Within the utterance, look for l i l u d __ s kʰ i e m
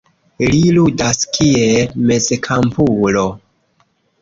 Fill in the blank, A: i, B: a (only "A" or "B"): B